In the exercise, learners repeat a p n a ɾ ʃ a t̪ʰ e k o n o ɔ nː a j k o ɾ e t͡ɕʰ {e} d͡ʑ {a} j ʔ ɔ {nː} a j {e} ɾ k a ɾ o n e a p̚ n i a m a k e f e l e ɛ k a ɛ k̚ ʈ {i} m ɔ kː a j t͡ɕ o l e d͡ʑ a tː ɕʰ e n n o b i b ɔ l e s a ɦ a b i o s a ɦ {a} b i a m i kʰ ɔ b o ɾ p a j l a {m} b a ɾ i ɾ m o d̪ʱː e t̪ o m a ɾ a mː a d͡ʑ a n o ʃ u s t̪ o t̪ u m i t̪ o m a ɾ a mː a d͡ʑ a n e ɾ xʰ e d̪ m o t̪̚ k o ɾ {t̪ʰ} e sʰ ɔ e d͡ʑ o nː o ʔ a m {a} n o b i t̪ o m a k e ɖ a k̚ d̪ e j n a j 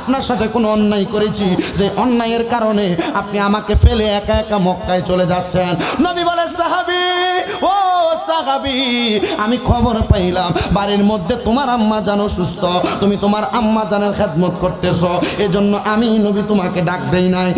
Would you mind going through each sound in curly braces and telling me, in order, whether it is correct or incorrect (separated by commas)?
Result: incorrect, incorrect, correct, correct, incorrect, correct, correct, incorrect, incorrect